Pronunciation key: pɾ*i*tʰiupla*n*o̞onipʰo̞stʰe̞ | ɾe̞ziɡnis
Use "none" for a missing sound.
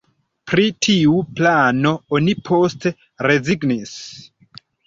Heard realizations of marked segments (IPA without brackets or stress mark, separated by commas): i, n